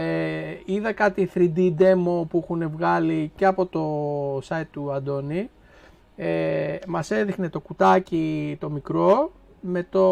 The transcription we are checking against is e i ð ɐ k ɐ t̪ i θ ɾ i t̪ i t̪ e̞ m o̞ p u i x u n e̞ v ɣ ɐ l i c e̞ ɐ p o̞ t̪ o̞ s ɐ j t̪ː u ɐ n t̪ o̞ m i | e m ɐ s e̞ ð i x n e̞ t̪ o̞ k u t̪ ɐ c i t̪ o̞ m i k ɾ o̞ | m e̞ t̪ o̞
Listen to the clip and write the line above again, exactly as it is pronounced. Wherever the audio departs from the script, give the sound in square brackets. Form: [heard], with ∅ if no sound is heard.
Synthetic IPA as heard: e i ð ɐ k ɐ t̪ i θ ɾ i [d̪] i [d̪] e̞ m o̞ p u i x u n e̞ v ɣ ɐ l i c e̞ ɐ p o̞ t̪ o̞ s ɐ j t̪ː u ɐ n [d̪] o̞ [n] i | e m ɐ s e̞ ð i x n e̞ t̪ o̞ k u t̪ ɐ c i t̪ o̞ m i k ɾ o̞ | m e̞ t̪ o̞